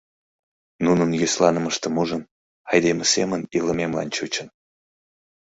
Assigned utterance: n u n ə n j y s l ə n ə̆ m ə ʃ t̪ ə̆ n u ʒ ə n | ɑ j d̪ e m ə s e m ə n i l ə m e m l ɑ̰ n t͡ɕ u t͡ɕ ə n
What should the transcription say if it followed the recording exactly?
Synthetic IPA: n u n ə n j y s l ɑ n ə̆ m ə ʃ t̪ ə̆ m u ʒ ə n | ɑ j d̪ e m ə s e m ə n i l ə m e m l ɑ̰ n t͡ɕ u t͡ɕ ə n